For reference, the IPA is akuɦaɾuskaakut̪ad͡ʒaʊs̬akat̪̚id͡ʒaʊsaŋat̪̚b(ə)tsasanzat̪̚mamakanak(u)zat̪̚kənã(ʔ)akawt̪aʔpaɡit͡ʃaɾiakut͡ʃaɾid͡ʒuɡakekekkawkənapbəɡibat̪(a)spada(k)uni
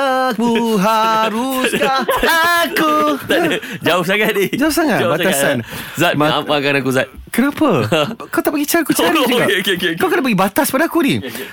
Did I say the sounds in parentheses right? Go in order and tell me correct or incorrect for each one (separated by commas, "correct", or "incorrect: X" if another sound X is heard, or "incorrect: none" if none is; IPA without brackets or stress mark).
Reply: incorrect: a, correct, incorrect: p, correct, correct